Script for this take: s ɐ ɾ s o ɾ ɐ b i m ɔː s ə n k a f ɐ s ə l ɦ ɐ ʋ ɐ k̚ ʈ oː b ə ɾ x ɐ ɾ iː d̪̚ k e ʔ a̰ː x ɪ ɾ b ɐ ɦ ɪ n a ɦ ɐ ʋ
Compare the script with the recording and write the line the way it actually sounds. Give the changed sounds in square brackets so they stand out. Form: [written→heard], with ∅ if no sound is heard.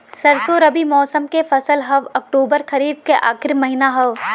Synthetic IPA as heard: s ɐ ɾ s o ɾ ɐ b i m ɔː s ə [n→m] k [a→e] f ɐ s ə l ɦ ɐ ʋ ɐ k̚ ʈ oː b ə ɾ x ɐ ɾ iː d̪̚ k e ʔ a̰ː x ɪ ɾ [b→m] ɐ ɦ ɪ n a ɦ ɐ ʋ